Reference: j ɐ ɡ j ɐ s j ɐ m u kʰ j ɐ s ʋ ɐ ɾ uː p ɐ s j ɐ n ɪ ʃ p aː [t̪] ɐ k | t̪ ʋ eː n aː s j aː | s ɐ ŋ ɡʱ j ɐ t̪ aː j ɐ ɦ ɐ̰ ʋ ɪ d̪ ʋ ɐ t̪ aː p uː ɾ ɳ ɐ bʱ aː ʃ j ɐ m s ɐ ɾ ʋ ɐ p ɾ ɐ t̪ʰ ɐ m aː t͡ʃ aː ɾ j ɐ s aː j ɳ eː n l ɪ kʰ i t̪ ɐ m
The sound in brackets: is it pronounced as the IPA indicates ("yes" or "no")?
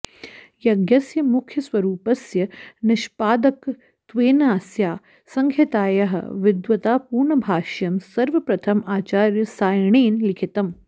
no